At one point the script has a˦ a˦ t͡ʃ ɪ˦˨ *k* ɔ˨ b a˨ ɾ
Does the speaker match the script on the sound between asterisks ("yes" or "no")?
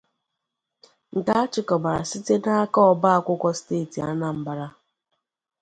yes